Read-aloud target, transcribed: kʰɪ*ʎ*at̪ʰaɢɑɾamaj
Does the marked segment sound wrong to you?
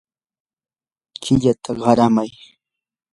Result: no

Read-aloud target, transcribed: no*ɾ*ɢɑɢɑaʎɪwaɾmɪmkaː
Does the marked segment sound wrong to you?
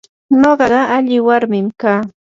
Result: yes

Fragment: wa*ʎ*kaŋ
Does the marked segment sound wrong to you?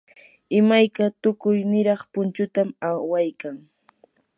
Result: yes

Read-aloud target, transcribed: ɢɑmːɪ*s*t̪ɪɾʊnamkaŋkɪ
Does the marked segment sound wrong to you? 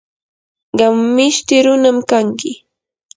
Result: yes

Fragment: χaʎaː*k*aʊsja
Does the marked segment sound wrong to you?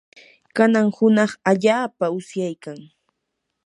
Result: yes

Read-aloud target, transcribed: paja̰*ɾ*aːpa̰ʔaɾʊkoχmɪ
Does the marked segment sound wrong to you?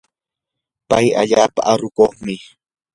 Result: yes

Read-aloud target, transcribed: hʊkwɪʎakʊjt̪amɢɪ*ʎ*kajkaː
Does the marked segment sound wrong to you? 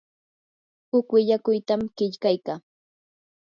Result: no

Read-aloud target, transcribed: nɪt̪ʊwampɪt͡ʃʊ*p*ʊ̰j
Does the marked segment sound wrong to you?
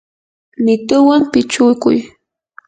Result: yes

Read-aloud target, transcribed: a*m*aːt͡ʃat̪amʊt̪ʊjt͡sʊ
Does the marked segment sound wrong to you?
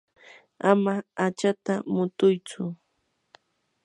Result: no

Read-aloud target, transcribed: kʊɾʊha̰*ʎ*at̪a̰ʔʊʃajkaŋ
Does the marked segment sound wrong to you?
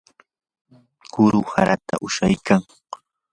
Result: yes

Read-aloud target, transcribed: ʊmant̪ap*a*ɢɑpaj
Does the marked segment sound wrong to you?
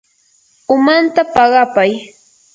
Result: yes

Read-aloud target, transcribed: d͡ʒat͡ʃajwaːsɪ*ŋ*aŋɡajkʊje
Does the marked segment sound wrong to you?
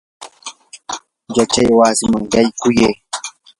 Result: yes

